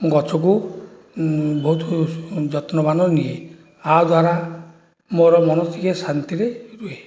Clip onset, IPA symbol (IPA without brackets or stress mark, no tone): ɡ